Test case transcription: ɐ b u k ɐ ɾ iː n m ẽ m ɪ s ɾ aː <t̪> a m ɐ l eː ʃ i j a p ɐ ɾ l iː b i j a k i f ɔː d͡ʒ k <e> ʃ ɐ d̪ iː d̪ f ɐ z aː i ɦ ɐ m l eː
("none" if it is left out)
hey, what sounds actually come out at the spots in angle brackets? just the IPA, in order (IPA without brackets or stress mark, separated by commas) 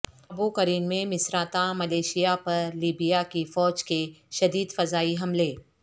t̪, e